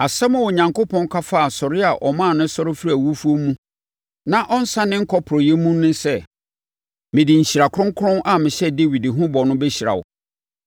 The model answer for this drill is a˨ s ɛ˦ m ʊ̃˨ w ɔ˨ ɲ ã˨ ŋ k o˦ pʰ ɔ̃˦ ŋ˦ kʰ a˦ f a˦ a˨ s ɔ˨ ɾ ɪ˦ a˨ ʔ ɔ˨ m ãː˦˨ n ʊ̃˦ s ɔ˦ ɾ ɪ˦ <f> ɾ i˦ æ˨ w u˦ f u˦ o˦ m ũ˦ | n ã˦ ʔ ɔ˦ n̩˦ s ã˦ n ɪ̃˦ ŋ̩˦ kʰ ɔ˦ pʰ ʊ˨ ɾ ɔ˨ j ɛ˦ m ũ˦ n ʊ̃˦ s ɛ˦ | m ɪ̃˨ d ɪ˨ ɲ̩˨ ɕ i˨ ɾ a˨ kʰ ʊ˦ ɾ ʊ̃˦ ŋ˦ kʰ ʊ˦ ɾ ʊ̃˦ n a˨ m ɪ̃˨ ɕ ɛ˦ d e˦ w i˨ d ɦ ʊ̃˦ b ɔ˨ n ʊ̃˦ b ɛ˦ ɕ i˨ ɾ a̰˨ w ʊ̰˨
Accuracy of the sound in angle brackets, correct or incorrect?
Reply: correct